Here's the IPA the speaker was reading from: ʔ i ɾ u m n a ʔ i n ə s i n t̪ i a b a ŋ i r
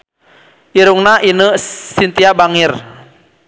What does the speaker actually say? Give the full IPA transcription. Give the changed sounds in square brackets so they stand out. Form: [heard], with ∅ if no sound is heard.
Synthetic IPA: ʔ i ɾ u [ŋ] n a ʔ i n ə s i n t̪ i a b a ŋ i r